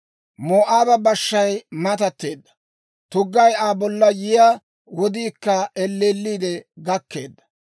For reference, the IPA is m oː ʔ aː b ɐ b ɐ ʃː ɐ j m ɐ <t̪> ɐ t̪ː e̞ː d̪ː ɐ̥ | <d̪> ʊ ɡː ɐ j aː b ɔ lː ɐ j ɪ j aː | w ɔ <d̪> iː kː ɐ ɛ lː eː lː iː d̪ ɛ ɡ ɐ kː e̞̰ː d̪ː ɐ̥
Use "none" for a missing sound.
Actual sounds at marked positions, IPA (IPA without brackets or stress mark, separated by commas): t̪, t̪, d̪